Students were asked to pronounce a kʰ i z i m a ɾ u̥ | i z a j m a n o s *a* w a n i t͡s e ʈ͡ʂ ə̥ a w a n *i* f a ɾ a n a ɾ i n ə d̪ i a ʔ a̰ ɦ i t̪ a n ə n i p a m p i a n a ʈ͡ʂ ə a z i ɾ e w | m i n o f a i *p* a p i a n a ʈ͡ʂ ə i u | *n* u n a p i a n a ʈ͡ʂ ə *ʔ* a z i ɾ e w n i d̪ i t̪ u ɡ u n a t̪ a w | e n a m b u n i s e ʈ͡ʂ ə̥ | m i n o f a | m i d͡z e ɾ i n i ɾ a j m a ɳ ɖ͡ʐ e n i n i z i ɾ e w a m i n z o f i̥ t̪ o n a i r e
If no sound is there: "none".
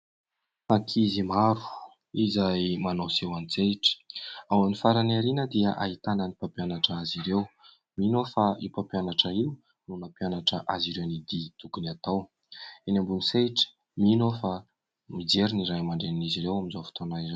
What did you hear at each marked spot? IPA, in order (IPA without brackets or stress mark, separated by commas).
e, i, p, n, ʔ